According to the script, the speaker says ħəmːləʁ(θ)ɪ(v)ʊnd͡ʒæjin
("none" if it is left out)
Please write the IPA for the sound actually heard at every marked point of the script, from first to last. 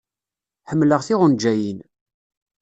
θ, ʁ

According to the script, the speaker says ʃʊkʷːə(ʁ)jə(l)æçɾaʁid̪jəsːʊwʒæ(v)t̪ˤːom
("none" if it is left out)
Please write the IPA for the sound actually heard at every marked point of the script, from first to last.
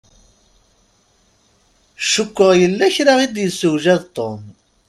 ʁ, lː, ð

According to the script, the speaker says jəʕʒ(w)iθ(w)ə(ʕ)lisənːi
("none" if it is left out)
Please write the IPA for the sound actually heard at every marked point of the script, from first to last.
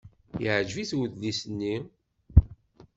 v, w, ð

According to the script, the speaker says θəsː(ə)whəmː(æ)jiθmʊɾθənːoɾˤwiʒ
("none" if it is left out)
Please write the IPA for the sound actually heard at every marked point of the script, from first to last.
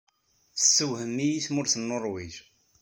ə, i

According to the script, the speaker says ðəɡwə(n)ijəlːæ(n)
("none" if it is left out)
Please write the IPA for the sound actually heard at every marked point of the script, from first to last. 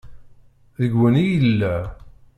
n, none

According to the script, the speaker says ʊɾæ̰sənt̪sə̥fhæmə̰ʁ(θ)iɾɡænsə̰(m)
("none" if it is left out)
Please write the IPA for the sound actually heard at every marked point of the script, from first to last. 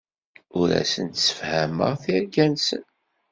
θ, n

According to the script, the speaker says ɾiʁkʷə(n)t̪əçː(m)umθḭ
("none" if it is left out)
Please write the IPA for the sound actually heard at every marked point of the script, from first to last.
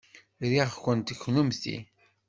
n, n

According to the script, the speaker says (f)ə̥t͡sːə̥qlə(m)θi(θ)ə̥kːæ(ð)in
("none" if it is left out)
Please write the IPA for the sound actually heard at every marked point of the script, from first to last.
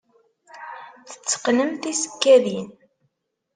θ, m, s, ð

